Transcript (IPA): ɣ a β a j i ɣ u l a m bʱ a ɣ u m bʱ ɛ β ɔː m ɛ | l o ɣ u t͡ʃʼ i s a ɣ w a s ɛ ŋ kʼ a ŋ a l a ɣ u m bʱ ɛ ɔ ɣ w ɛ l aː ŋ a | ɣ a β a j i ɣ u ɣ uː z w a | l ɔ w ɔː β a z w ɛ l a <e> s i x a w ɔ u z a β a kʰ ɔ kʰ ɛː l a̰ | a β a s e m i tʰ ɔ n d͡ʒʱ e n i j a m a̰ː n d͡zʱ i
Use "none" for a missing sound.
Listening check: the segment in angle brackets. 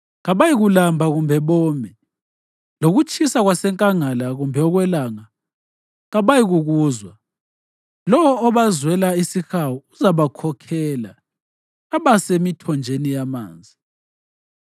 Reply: i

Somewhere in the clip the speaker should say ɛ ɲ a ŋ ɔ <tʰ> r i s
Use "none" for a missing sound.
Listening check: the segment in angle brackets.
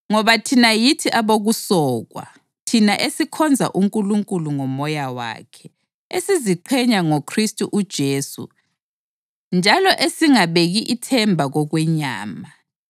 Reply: kʰ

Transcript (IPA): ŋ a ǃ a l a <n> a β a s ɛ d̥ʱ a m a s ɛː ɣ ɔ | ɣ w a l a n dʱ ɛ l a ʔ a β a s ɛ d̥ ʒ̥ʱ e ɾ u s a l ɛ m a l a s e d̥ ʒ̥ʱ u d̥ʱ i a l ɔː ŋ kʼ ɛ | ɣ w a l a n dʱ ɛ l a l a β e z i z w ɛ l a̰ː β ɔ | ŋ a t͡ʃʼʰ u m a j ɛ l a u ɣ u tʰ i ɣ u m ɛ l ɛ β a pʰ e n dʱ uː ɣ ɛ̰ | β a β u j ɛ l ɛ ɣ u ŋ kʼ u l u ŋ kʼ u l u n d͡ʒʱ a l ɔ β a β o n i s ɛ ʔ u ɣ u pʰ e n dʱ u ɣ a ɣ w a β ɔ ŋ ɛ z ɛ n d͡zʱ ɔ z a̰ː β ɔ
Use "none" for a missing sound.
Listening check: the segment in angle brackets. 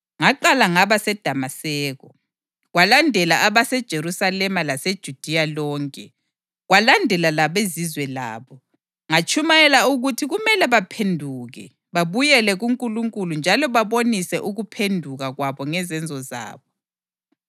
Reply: ŋ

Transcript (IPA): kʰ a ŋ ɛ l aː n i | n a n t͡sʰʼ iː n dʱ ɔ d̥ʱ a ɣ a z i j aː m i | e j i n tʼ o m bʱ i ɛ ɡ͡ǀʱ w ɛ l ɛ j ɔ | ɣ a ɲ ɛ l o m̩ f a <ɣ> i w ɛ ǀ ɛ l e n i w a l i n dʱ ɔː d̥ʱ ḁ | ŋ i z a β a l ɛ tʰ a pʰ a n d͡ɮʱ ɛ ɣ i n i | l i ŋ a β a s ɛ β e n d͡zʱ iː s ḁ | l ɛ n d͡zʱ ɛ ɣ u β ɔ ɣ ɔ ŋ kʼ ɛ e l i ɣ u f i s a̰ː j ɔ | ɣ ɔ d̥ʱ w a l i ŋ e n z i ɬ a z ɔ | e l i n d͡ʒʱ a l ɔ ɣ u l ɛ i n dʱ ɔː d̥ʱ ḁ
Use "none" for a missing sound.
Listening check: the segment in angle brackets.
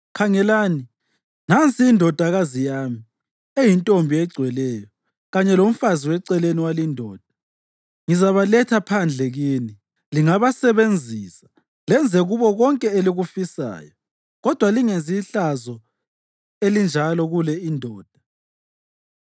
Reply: z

